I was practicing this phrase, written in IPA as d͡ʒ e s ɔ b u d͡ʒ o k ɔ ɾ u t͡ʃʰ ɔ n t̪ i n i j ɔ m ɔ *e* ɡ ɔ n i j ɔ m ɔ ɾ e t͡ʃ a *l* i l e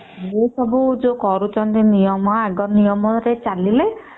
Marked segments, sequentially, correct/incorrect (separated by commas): incorrect, correct